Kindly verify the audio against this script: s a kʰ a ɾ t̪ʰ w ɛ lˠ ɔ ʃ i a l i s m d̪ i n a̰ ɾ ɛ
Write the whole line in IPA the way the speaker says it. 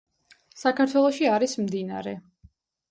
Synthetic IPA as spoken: s a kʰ a ɾ t̪ʰ w ɛ lˠ ɔ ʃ i a ɾ i s m d̪ i n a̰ ɾ ɛ

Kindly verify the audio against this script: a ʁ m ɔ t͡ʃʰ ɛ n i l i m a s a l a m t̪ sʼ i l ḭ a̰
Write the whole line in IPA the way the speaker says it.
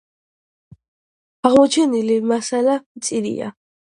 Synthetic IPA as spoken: a ʁ m ɔ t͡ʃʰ ɛ n i l i m a s a l a m t̪ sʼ i ɾ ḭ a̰

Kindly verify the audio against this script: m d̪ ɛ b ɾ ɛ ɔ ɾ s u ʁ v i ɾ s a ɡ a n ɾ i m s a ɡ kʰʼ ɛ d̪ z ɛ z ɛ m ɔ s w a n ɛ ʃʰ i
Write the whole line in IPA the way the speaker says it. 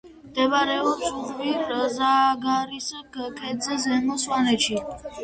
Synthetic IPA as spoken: m d̪ ɛ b ɾ ɛ ɔ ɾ s u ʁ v i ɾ z a ɡ a ɾ i s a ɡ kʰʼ ɛ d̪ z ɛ z ɛ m ɔ s w a n ɛ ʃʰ i

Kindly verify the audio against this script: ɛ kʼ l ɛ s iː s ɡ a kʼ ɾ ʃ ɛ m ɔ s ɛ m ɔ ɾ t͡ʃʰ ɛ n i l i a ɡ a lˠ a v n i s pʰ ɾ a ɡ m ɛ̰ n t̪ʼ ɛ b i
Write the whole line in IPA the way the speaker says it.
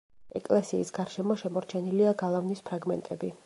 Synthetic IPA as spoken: ɛ kʼ l ɛ s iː s ɡ a ɾ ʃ ɛ m ɔ ʃ ɛ m ɔ ɾ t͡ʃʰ ɛ n i l i a ɡ a lˠ a v n i s pʰ ɾ a ɡ m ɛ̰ n t̪ʼ ɛ b i

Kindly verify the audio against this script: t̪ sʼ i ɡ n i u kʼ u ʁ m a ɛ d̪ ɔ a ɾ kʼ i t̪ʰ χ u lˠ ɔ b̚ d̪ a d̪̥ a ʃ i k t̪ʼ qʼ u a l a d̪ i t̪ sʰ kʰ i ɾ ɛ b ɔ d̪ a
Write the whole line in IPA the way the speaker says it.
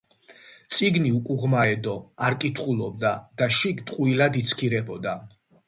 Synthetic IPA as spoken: t̪ sʼ i ɡ n i u kʼ u ʁ m a ɛ d̪ ɔ a ɾ kʼ i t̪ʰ χ u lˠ ɔ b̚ d̪ a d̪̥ a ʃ i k t̪ʼ qʼ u i l a d̪ i t̪ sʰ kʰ i ɾ ɛ b ɔ d̪ a

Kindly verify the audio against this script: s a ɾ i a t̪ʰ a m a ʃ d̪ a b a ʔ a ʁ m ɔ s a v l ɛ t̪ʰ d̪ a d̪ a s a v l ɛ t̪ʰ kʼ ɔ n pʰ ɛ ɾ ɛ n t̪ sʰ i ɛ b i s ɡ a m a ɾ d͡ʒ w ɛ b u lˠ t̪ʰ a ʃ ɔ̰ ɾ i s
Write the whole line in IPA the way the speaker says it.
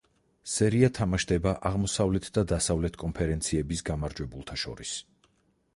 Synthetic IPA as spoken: s ɛ ɾ i a t̪ʰ a m a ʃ d̪ ɛ b a ʔ a ʁ m ɔ s a v l ɛ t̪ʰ d̪ a d̪ a s a v l ɛ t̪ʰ kʼ ɔ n pʰ ɛ ɾ ɛ n t̪ sʰ i ɛ b i s ɡ a m a ɾ d͡ʒ w ɛ b u lˠ t̪ʰ a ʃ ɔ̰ ɾ i s

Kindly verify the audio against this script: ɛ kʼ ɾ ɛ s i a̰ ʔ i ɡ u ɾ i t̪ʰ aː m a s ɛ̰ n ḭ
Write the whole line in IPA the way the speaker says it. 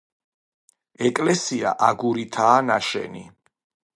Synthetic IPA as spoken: ɛ kʼ l ɛ s i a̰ ʔ a ɡ u ɾ i t̪ʰ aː n a ʃ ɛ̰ n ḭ

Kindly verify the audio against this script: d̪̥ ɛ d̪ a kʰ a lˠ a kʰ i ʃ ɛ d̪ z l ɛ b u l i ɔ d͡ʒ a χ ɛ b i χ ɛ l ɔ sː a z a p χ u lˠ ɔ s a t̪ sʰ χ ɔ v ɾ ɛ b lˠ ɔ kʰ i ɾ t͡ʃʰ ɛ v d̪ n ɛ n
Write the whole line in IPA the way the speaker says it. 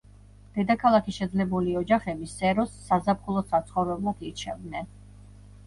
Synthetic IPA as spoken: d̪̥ ɛ d̪ a kʰ a lˠ a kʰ i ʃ ɛ d̪ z l ɛ b u l i ɔ d͡ʒ a χ ɛ b i s ɛ ɾ ɔ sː a z a p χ u lˠ ɔ s a t̪ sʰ χ ɔ v ɾ ɛ b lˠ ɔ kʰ i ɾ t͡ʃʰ ɛ v d̪ n ɛ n

